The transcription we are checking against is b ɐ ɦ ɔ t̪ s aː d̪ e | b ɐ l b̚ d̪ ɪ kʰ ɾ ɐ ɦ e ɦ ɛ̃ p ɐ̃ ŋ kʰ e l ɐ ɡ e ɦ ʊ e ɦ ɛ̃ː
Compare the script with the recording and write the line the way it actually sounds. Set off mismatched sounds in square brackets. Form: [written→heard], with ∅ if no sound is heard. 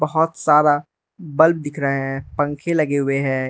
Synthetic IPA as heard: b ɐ ɦ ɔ t̪ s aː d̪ [e→a] | b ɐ l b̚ d̪ ɪ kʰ ɾ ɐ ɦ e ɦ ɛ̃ p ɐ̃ ŋ kʰ e l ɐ ɡ e ɦ ʊ e ɦ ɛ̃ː